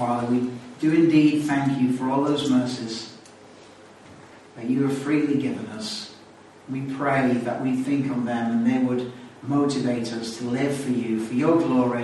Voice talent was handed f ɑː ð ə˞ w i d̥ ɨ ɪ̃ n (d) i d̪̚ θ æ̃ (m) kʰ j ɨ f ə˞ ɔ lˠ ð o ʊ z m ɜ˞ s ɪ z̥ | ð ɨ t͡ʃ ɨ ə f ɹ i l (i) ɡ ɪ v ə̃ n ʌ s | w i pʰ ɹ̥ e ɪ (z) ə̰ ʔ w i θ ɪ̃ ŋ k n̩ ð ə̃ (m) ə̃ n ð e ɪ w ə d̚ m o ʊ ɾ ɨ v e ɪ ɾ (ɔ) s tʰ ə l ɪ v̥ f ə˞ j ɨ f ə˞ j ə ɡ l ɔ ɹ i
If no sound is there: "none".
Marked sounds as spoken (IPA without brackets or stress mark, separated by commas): d, ŋ, i, ð, m, ʌ